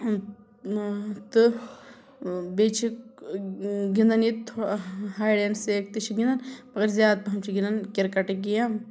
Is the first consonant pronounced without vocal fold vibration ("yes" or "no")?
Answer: yes